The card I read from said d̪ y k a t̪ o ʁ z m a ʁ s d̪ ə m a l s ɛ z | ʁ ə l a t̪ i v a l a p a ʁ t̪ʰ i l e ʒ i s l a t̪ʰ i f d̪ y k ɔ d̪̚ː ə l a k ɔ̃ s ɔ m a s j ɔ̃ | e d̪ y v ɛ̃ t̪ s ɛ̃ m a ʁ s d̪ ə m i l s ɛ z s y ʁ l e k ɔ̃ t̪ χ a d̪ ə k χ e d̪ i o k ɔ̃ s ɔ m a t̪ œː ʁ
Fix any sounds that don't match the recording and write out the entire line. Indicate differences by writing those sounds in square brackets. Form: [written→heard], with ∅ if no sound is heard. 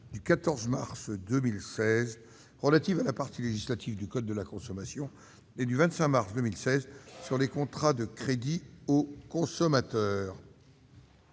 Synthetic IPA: d̪ y k a t̪ [o→ɔ] ʁ z m a ʁ s d̪ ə m [a→i] l s ɛ z | ʁ ə l a t̪ i v a l a p a ʁ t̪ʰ i l e ʒ i s l a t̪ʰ i [f→v] d̪ y k ɔ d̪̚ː ə l a k ɔ̃ s ɔ m a s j ɔ̃ | e d̪ y v ɛ̃ t̪ s ɛ̃ m a ʁ s d̪ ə m i l s ɛ z s y ʁ l e k ɔ̃ t̪ χ a d̪ ə k χ e d̪ i o k ɔ̃ s ɔ m a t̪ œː ʁ